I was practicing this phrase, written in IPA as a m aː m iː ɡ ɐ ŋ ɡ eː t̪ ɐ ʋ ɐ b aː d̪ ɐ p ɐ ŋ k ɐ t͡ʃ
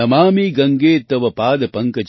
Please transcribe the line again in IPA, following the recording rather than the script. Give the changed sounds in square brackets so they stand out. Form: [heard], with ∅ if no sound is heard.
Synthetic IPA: [ɐ] m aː m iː ɡ ɐ ŋ ɡ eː t̪ ɐ ʋ ɐ [p] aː d̪ ɐ p ɐ ŋ k ɐ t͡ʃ